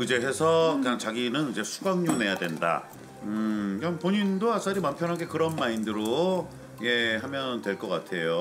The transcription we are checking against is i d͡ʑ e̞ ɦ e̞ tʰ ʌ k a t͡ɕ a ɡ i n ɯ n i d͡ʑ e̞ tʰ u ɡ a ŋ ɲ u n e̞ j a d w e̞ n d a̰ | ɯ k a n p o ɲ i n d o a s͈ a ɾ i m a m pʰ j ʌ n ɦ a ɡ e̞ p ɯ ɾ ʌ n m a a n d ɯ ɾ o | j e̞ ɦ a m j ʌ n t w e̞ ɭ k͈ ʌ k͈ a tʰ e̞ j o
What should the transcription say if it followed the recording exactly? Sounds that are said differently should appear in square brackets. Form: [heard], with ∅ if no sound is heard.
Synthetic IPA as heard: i d͡ʑ e̞ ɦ e̞ [sʰ] ʌ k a t͡ɕ a ɡ i n ɯ n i d͡ʑ e̞ [sʰ] u ɡ a ŋ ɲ u n e̞ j a d w e̞ n d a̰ | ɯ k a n p o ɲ i n d o a s͈ a ɾ i m a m pʰ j ʌ n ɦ a ɡ e̞ [k] ɯ ɾ ʌ n m a [i] n d ɯ ɾ o | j e̞ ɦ a m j ʌ n t w e̞ ɭ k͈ ʌ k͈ a tʰ e̞ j o